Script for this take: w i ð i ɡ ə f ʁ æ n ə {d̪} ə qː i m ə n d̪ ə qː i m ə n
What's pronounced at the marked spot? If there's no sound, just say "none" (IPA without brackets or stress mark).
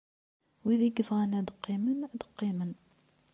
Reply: d̪